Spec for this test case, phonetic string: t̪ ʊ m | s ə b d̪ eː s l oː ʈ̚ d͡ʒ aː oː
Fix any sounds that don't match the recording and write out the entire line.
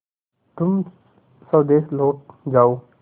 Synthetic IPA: t̪ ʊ m | s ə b d̪ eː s l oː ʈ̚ d͡ʒ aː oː